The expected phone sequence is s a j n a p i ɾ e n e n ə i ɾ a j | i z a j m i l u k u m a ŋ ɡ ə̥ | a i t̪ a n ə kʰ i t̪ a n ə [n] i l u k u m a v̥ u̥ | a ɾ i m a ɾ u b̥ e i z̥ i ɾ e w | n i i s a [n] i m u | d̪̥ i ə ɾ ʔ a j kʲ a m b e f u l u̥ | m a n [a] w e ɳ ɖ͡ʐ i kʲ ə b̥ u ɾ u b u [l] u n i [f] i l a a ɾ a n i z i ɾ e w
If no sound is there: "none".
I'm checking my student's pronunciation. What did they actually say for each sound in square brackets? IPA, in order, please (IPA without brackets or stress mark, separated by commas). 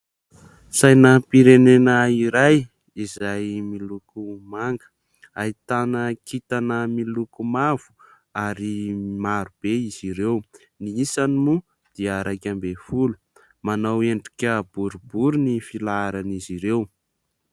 m, n, a, ɾ, f